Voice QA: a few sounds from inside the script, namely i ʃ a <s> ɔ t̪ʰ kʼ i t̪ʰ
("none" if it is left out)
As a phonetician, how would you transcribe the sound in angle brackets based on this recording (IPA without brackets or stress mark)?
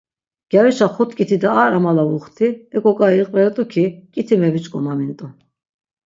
χ